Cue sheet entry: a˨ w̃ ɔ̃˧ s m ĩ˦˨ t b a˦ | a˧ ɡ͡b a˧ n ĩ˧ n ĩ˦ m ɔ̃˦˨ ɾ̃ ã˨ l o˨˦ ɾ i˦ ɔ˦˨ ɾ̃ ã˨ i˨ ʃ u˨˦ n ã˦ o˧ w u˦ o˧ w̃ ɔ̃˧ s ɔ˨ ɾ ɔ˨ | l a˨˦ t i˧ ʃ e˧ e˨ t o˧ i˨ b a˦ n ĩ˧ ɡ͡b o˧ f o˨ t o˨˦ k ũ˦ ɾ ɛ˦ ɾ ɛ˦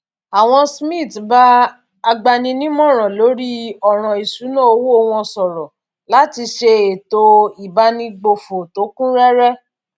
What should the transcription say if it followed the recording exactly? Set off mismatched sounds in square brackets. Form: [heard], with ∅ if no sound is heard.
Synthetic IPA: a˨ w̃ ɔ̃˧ s m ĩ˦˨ t b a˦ | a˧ ɡ͡b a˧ n ĩ˧ n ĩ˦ m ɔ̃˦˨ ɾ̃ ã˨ l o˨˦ ɾ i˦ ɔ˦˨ ɾ̃ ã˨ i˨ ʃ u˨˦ n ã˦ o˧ w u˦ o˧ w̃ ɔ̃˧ s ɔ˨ ɾ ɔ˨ | l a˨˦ t i˧ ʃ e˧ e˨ t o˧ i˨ b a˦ n ĩ˧ ɡ͡b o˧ f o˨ t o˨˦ k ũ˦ ɾ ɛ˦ ɾ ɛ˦